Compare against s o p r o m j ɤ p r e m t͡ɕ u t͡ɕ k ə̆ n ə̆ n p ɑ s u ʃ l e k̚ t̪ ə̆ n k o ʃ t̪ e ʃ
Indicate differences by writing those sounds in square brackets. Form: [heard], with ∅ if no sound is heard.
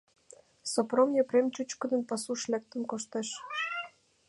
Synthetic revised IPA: s o p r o m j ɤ p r e m t͡ɕ u t͡ɕ k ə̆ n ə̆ n p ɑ s u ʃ l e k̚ t̪ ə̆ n k o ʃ t̪ e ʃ